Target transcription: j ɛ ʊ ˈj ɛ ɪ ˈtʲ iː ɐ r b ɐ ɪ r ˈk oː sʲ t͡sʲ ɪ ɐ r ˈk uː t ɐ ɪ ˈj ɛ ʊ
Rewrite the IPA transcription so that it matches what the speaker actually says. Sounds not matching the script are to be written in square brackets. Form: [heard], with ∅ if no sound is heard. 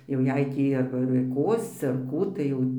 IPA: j ɛ ʊ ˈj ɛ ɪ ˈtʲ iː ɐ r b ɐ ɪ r ˈk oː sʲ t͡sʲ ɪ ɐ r ˈk uː t ɐ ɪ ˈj ɛ ʊ